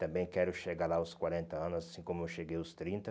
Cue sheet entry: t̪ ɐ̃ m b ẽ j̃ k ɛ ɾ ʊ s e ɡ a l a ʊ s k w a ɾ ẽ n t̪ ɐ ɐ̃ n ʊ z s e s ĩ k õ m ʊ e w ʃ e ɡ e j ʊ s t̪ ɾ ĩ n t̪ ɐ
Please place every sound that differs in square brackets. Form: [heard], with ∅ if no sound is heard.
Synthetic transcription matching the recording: t̪ ɐ̃ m b ẽ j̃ k ɛ ɾ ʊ [ʃ] e ɡ a l a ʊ s k w a ɾ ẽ n t̪ ɐ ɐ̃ n ʊ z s [a] s ĩ k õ m ʊ e w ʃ e ɡ e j ʊ s t̪ ɾ ĩ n t̪ ɐ